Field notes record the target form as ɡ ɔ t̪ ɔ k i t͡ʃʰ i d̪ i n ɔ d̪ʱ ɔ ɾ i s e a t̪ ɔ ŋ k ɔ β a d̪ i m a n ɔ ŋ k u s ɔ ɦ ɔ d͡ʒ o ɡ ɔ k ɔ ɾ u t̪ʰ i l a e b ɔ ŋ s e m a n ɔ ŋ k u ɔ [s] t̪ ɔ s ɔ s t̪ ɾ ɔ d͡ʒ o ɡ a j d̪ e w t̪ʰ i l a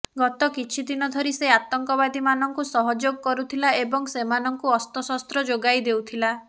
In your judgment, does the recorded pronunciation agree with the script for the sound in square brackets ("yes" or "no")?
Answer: yes